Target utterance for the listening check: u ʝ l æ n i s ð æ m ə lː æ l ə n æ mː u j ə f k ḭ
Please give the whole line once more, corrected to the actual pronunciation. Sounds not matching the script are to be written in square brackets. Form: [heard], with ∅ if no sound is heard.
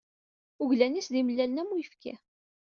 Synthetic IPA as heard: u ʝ l æ n i s ð [i] m ə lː æ l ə n æ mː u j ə f k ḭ